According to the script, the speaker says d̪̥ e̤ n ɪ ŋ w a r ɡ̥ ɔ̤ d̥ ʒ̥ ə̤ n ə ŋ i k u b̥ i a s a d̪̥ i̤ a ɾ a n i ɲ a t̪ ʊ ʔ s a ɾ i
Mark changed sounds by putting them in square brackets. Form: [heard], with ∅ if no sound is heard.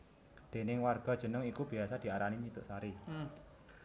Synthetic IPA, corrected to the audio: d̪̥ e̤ n ɪ ŋ w a r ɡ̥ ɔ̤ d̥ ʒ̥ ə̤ n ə ŋ i k u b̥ i a s a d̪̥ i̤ a ɾ a n i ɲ [i] t̪ ʊ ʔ s a ɾ i